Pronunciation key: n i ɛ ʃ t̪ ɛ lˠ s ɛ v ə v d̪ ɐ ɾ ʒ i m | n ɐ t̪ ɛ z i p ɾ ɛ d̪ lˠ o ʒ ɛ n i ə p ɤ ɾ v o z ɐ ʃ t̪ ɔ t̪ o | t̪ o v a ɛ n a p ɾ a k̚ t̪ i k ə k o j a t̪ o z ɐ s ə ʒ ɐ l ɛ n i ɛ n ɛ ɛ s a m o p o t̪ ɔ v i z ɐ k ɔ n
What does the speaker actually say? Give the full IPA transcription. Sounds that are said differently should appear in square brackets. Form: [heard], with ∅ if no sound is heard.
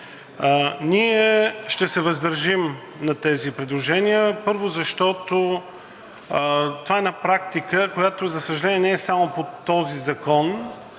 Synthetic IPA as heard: n i ɛ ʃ t̪ ɛ [∅] s ɛ v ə [z] d̪ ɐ ɾ ʒ i m | n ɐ t̪ ɛ z i p ɾ ɛ d̪ lˠ o ʒ ɛ n i ə p ɤ ɾ v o z ɐ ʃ t̪ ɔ t̪ o | t̪ o v a ɛ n a p ɾ a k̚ t̪ i k ə k o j a t̪ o z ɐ s ə ʒ ɐ l ɛ n i ɛ n ɛ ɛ s a m o p o t̪ ɔ [z] i z ɐ k ɔ n

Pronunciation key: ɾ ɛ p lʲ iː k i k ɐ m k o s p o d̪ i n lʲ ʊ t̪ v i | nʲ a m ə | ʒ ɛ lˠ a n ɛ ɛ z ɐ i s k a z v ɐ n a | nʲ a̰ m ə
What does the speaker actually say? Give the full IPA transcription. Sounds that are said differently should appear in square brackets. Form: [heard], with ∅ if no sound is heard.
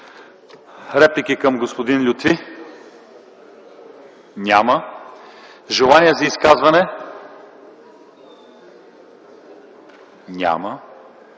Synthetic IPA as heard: ɾ ɛ p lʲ [i] k i k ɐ m [ɡ] o s p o d̪ i n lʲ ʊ t̪ v i | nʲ a m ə | ʒ ɛ lˠ a n [i] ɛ z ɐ i s k a z v ɐ n [ɛ] | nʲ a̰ m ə

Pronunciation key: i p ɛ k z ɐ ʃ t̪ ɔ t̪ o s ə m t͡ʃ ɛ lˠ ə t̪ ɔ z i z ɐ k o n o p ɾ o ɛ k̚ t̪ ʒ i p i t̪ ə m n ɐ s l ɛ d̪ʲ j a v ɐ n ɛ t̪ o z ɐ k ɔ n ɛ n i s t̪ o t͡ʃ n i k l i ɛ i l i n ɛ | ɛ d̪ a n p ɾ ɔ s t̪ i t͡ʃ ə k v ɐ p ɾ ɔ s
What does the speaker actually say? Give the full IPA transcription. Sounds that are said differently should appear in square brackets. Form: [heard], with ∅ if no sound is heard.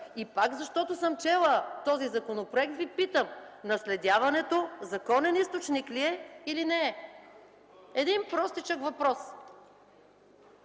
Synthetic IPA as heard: i p [a] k z ɐ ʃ t̪ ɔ t̪ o s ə m t͡ʃ ɛ lˠ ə t̪ ɔ z i z ɐ k o n o p ɾ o ɛ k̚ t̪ [v] i p i t̪ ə m n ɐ s l ɛ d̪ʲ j a v ɐ n ɛ t̪ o z ɐ k ɔ n ɛ n i s t̪ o t͡ʃ n i k l i ɛ i l i n ɛ | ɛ d̪ [i] n p ɾ ɔ s t̪ i t͡ʃ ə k v ɐ p ɾ ɔ s

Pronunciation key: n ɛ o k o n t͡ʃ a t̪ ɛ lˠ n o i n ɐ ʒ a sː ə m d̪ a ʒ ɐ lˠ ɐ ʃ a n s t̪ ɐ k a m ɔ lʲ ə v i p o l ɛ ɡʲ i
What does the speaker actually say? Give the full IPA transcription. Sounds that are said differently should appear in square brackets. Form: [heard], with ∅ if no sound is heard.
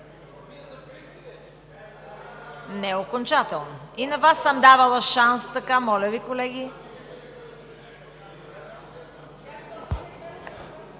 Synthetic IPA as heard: n ɛ o k o n t͡ʃ a t̪ ɛ lˠ n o i n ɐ [v] a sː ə m d̪ a [v] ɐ lˠ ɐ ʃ a n s t̪ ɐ k a m ɔ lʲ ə v i [k] o l ɛ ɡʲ i

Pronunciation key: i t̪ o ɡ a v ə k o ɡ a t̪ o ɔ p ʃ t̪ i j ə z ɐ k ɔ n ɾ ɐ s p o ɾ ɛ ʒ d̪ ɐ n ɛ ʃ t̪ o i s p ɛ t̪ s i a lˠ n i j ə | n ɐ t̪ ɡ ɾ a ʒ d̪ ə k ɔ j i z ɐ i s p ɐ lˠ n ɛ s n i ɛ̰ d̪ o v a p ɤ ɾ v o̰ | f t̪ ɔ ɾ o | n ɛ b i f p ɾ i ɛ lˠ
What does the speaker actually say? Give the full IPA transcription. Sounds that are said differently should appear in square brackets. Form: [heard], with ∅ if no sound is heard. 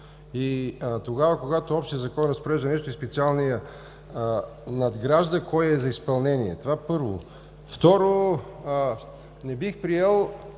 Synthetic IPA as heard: i t̪ o ɡ a v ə k o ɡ a t̪ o ɔ p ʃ t̪ i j ə z ɐ k ɔ n ɾ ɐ s p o ɾ ɛ ʒ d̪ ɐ n ɛ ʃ t̪ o i s p ɛ t̪ s i a lˠ n i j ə | n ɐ [d̪] ɡ ɾ a ʒ d̪ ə k ɔ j [ɛ] z ɐ i s p ɐ lˠ n ɛ [∅] n i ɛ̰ [t̪] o v a p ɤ ɾ v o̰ | f t̪ ɔ ɾ o | n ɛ b i [x] p ɾ i ɛ lˠ

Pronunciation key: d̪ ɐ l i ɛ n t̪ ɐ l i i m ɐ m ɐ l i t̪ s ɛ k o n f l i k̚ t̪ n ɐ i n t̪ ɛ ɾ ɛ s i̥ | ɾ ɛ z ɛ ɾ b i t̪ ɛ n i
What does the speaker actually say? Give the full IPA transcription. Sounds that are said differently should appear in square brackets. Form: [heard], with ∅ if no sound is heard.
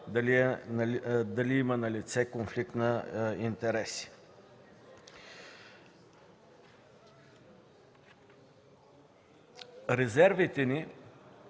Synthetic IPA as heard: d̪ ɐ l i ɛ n [d̪] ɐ l i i m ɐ [n] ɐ l i t̪ s ɛ k o n f l i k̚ t̪ n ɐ i n t̪ ɛ ɾ ɛ s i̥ | ɾ ɛ z ɛ ɾ [v] i t̪ ɛ n i

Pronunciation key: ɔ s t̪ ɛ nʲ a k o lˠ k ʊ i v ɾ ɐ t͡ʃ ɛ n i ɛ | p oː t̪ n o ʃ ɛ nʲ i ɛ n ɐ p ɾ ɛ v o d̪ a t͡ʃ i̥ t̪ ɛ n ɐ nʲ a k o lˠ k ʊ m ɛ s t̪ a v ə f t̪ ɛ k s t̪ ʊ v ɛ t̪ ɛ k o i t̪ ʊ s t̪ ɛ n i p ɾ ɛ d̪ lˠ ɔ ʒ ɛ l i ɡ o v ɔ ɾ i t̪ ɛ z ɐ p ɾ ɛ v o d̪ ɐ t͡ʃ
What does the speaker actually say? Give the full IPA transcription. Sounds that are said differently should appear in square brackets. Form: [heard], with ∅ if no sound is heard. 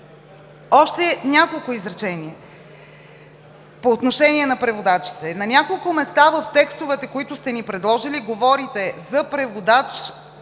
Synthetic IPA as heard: ɔ [ʃ] t̪ ɛ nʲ a k o lˠ k ʊ i [z] ɾ ɐ t͡ʃ ɛ n i ɛ | p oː t̪ n o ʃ ɛ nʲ i ɛ n ɐ p ɾ ɛ v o d̪ a t͡ʃ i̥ t̪ ɛ n ɐ nʲ a k o lˠ k ʊ m ɛ s t̪ a v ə f t̪ ɛ k s t̪ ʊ v ɛ t̪ ɛ k o i t̪ ʊ s t̪ ɛ n i p ɾ ɛ d̪ lˠ ɔ ʒ [i] l i ɡ o v ɔ ɾ i t̪ ɛ z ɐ p ɾ ɛ v o d̪ [a] t͡ʃ

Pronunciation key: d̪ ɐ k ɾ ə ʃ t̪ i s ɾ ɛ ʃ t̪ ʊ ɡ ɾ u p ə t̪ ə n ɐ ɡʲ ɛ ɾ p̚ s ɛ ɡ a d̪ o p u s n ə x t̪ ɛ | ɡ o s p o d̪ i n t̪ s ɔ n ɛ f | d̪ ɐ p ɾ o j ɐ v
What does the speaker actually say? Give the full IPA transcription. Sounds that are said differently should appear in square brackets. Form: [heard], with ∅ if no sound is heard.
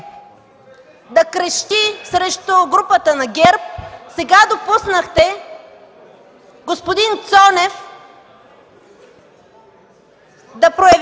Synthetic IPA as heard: d̪ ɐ k ɾ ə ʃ t̪ i s ɾ ɛ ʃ t̪ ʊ ɡ ɾ u p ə t̪ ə n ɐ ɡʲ ɛ ɾ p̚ s ɛ ɡ a d̪ o p u s n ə x t̪ ɛ | ɡ o s p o d̪ i n t̪ s ɔ n ɛ f | d̪ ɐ p ɾ o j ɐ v

